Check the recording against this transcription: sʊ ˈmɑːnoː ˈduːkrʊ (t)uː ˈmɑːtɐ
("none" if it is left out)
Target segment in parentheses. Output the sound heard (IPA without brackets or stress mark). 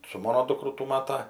t